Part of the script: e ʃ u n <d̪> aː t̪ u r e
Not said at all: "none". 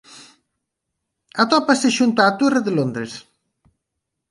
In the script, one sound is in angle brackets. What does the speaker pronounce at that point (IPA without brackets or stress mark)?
t̪